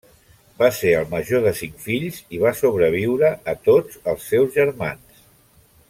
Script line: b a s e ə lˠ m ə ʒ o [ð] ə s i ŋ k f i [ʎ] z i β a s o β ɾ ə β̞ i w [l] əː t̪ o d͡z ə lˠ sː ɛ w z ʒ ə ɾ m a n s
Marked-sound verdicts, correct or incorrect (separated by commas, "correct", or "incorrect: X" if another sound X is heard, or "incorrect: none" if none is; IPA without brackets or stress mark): correct, correct, incorrect: ɾ